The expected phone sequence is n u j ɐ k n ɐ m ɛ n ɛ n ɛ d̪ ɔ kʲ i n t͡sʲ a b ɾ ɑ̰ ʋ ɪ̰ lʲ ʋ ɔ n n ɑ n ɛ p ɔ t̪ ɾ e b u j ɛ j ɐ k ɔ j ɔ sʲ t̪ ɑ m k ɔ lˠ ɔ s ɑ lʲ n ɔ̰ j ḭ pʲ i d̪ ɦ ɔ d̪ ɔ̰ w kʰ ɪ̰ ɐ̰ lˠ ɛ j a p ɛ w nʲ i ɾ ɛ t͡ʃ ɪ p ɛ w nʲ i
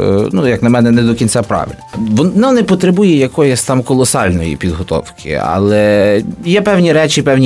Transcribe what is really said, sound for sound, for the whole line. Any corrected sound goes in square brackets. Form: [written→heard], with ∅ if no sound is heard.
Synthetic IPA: n u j ɐ k n ɐ m ɛ n ɛ n ɛ d̪ ɔ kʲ i n t͡sʲ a [b→p] ɾ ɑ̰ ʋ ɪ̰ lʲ ʋ ɔ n n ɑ n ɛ p ɔ t̪ ɾ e b u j ɛ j ɐ k ɔ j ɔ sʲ t̪ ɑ m k ɔ lˠ ɔ s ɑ lʲ n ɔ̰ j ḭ pʲ i d̪ ɦ ɔ [d̪→t̪] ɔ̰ w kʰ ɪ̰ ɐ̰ lˠ ɛ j [a→ɛ] p ɛ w nʲ i ɾ ɛ t͡ʃ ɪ p ɛ w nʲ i